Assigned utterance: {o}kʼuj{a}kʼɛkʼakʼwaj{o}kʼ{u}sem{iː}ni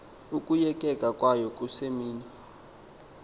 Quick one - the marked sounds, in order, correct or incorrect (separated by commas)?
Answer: incorrect, incorrect, incorrect, correct, correct